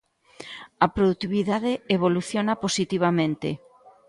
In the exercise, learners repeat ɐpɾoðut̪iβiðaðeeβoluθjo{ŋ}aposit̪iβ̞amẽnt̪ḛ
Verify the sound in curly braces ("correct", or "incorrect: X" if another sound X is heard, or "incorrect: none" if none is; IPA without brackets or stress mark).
incorrect: n